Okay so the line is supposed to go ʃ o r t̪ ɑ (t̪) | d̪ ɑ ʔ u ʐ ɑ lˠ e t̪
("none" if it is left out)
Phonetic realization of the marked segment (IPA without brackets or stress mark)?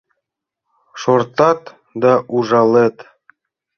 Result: t̪